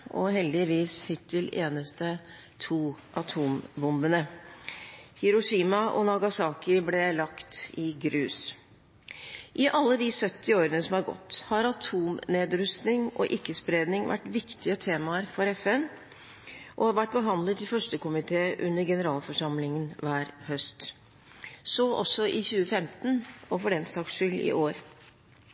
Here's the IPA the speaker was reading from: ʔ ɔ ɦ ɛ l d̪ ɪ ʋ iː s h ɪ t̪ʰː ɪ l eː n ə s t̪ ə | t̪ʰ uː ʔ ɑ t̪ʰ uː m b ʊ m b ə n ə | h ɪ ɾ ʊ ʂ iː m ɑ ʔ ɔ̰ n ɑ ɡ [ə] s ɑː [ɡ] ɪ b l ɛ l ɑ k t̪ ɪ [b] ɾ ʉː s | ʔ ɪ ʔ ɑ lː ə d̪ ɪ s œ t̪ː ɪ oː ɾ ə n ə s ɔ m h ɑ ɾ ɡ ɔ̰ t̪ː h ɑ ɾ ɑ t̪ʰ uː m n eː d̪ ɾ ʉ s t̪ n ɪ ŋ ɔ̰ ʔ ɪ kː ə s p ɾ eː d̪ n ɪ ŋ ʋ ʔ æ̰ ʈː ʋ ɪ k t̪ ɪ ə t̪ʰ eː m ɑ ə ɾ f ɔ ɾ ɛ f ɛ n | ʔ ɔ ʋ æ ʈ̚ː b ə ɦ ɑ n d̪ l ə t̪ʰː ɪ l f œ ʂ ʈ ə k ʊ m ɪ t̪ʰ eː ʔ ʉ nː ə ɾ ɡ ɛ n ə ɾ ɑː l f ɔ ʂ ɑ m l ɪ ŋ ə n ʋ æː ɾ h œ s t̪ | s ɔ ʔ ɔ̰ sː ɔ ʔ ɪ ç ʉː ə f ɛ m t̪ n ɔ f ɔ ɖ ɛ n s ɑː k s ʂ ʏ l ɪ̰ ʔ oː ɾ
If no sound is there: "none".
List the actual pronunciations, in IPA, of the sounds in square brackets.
ɑ, k, ɡ

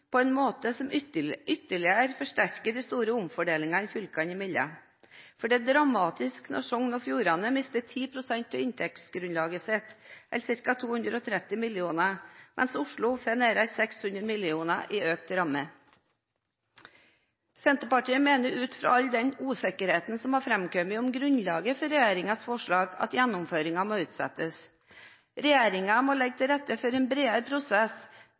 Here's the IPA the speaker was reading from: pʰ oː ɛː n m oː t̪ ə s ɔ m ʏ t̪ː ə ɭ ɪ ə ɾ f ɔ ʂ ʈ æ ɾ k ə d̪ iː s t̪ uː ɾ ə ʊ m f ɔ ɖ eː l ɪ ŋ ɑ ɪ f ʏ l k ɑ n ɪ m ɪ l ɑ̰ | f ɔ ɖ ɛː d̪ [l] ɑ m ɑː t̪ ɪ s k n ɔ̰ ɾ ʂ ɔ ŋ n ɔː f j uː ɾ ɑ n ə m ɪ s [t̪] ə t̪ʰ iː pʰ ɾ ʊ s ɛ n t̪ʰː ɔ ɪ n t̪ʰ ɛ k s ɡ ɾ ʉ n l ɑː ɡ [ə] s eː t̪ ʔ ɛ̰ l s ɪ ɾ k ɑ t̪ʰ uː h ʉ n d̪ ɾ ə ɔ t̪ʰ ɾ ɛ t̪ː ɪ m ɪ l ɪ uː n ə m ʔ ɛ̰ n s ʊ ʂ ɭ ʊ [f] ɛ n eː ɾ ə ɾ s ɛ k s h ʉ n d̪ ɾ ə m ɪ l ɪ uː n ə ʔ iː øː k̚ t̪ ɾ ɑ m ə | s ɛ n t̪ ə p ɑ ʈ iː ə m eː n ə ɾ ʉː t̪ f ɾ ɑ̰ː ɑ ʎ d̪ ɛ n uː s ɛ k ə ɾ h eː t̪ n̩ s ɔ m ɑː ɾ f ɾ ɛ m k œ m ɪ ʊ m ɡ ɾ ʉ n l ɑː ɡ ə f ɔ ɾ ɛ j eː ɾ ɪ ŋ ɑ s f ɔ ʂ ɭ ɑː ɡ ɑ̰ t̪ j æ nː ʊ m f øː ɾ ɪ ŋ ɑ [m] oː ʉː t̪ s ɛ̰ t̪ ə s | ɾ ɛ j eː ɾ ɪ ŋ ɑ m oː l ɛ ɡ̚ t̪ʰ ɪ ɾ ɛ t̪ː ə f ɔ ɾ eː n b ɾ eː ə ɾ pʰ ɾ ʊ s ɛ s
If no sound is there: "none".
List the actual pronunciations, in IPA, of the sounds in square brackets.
ɾ, t̪, ə, f, m

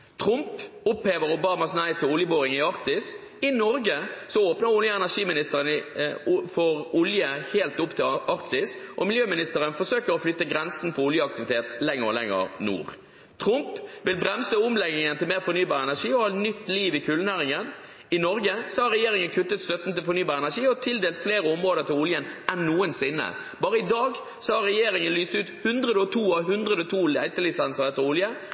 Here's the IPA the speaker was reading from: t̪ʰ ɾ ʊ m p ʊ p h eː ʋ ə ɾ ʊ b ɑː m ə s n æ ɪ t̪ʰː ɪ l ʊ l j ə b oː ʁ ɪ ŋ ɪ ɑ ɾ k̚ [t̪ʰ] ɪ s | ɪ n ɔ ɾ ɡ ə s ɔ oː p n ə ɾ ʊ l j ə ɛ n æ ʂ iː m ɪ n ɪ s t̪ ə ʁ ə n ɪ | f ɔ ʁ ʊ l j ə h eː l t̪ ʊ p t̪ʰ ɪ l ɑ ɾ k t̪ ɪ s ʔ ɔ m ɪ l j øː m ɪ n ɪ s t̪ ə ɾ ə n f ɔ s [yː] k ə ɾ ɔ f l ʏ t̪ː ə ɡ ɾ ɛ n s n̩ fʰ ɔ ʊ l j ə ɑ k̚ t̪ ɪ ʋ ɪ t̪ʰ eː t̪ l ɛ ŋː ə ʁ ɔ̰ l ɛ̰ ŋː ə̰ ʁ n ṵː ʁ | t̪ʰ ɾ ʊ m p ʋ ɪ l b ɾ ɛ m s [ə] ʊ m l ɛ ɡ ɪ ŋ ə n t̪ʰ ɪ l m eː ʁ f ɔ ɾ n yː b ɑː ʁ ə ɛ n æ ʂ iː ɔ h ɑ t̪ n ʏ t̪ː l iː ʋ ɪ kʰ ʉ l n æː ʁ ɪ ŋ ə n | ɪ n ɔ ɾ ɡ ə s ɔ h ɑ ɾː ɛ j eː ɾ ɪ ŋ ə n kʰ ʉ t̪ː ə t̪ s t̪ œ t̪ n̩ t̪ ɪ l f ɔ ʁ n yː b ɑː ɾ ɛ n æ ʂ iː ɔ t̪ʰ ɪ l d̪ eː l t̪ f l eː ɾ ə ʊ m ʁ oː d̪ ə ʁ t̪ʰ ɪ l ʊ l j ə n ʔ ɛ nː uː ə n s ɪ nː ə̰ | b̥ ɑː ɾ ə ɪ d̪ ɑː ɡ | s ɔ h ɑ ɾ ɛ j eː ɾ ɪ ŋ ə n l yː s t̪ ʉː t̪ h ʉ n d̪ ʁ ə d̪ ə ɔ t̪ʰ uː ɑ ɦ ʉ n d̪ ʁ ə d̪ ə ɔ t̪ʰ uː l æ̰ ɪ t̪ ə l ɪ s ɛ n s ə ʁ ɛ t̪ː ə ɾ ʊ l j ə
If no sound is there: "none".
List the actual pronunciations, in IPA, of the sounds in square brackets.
t̪, øː, ə

